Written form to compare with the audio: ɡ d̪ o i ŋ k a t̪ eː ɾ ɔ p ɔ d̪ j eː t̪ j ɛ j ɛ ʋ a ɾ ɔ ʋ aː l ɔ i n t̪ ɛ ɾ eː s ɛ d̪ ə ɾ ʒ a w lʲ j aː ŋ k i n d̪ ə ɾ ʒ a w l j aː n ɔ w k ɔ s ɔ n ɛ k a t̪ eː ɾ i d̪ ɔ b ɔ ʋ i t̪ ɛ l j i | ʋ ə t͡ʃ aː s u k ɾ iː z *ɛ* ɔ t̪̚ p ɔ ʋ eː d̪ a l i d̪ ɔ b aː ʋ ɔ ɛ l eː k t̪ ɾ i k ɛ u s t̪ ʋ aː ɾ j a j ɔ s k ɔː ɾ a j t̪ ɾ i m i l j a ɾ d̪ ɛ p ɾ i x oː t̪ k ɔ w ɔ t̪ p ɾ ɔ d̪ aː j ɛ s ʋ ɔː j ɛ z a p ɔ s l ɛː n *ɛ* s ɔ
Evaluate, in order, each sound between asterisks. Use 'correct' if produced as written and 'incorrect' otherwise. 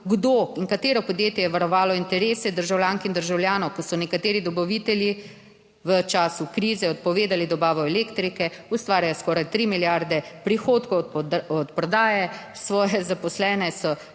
correct, correct

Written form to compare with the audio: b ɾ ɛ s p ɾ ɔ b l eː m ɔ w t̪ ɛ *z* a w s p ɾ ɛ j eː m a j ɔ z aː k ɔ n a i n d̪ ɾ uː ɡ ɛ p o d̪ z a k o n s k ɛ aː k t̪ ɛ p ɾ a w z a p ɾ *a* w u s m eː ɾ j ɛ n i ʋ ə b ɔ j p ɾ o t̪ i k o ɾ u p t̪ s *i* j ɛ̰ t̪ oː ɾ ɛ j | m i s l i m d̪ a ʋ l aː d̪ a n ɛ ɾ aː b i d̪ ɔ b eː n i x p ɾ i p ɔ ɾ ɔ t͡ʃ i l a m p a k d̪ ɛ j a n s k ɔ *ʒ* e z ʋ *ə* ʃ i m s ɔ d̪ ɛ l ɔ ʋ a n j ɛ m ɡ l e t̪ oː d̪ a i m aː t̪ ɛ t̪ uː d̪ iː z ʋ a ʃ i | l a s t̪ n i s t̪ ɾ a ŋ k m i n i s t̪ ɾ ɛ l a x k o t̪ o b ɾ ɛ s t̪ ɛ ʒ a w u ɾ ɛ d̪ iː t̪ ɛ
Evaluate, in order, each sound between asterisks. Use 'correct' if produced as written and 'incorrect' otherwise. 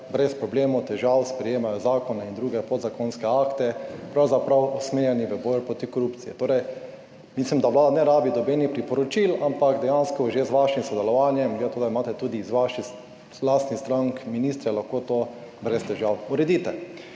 incorrect, correct, correct, correct, incorrect

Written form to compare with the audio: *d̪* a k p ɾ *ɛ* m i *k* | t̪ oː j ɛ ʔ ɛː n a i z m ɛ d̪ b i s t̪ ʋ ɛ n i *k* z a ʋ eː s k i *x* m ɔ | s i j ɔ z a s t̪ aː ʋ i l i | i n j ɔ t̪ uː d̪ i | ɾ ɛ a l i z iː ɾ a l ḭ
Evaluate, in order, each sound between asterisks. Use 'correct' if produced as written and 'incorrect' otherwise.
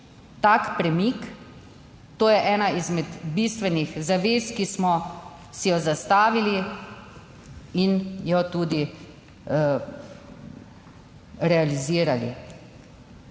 incorrect, correct, correct, incorrect, incorrect

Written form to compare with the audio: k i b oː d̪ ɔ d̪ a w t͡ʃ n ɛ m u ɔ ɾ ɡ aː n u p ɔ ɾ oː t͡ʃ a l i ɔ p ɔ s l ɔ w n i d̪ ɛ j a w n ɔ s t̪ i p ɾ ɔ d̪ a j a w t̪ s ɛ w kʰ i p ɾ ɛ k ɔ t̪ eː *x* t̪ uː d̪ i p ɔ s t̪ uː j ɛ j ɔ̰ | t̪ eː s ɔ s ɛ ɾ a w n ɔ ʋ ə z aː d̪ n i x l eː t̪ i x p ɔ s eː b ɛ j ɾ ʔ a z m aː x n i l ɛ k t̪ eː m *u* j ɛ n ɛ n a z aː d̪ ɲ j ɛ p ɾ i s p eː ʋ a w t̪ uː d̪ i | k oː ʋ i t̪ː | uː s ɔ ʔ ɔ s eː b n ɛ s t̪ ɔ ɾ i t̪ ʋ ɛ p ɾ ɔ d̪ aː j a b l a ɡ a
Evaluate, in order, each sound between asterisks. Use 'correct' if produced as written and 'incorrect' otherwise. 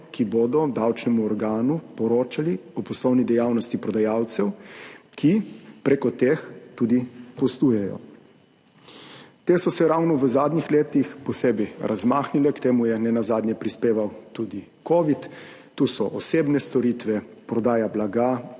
correct, correct

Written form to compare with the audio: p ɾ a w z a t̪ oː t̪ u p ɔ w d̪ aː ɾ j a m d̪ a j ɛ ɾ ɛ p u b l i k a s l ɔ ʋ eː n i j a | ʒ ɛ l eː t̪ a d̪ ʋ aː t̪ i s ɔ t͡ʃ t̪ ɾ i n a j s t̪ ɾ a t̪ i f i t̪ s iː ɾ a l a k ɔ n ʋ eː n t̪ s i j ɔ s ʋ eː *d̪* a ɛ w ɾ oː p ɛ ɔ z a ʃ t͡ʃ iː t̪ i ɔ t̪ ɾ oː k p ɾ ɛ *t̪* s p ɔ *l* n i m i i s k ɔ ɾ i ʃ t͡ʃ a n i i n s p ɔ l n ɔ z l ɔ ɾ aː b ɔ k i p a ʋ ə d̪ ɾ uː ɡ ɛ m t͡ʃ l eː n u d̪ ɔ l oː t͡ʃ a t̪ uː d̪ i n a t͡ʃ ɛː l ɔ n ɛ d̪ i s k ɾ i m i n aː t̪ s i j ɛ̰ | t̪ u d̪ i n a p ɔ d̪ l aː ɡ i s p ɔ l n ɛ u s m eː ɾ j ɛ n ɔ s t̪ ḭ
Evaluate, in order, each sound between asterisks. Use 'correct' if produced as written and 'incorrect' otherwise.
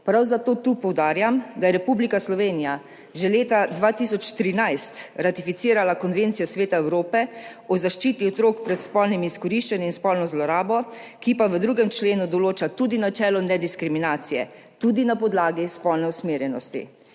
incorrect, correct, correct

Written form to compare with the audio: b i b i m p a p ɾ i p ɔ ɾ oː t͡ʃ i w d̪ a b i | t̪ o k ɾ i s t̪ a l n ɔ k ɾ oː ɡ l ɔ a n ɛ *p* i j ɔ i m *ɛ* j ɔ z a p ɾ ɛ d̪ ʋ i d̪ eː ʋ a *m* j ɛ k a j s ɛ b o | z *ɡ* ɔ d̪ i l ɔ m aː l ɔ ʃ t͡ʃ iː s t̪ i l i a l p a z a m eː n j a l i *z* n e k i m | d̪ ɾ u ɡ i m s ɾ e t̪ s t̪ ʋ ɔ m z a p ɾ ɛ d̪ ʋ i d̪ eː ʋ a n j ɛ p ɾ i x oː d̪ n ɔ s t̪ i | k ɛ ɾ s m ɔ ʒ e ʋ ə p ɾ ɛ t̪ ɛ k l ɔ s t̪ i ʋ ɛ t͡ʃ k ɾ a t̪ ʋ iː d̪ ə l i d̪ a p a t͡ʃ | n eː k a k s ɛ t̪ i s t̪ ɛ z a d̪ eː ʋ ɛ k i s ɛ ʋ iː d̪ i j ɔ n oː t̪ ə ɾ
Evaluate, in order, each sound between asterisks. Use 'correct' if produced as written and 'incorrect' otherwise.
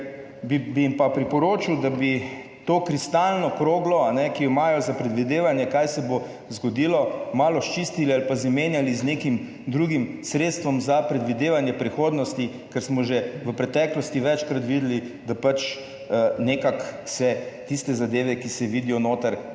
incorrect, incorrect, incorrect, correct, correct

